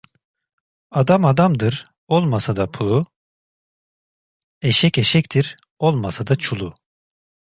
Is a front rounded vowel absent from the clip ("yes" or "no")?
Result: yes